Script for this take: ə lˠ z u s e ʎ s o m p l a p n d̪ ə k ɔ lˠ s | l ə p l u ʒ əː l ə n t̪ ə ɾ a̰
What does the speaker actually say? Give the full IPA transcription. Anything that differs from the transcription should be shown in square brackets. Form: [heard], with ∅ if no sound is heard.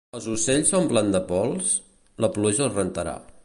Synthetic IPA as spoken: ə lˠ z u s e ʎ s o m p l a [∅] n d̪ ə [p] ɔ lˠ s | l ə p l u ʒ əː [r] ə n t̪ ə ɾ a̰